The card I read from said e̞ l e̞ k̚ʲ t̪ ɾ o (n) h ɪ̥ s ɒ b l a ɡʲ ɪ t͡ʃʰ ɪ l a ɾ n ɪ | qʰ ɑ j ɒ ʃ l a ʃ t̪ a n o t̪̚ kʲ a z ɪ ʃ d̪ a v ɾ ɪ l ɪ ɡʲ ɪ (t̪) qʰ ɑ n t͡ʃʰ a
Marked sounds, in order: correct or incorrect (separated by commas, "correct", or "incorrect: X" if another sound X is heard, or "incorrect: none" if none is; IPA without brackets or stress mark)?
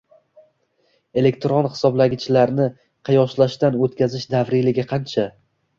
correct, incorrect: none